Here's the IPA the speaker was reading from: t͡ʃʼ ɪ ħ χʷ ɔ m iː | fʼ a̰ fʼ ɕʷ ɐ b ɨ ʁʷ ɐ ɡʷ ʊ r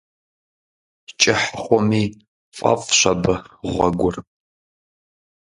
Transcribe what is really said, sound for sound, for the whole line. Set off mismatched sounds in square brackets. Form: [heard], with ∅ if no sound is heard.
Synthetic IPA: t͡ʃʼ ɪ ħ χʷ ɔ m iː | fʼ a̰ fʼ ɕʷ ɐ b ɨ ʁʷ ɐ ɡʷ ʊ r